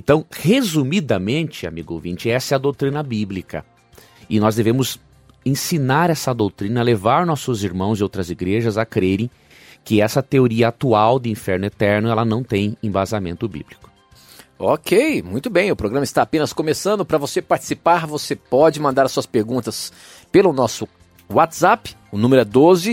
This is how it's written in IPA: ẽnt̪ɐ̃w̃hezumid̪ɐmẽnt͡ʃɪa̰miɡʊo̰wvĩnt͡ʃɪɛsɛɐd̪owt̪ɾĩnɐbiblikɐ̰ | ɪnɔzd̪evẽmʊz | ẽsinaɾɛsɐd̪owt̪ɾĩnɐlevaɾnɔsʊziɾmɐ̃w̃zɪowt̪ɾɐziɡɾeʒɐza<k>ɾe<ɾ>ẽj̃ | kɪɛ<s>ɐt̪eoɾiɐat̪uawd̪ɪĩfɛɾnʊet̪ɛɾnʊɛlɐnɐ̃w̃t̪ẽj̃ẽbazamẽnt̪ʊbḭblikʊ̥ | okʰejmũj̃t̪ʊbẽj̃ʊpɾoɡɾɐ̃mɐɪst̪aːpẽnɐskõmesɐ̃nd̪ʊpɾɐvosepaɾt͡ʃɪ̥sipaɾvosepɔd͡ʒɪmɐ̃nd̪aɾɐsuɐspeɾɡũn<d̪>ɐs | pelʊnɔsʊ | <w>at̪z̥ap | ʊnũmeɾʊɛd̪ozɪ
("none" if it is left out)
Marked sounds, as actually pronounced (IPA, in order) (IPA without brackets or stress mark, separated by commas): k, ɾ, s, t̪, w